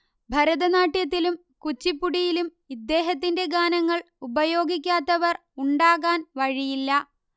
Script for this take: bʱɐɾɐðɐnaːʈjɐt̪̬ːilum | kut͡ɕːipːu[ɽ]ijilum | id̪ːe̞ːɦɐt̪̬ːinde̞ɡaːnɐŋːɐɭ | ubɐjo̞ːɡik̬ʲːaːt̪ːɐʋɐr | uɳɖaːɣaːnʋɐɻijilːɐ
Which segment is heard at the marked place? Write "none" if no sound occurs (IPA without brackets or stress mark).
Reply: ɽ